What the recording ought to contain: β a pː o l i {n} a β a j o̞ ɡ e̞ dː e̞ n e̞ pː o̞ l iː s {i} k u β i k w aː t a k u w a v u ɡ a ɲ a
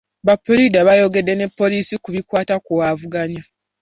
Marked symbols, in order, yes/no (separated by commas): no, yes